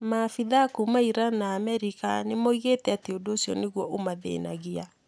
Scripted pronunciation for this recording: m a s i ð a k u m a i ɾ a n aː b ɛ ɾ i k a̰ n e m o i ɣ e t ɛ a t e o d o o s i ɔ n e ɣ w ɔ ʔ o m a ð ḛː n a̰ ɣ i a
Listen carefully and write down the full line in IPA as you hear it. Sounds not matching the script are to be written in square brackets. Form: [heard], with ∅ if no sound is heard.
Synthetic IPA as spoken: m a [f] i ð a k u m a i ɾ a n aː [m] ɛ ɾ i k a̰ n e m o i ɣ e t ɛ a t e o d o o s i ɔ n e ɣ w ɔ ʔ o m a ð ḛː n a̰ ɣ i a